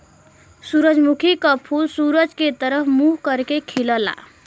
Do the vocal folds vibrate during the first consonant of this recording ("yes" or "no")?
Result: no